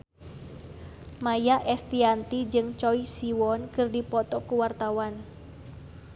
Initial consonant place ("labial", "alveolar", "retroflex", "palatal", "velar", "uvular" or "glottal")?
labial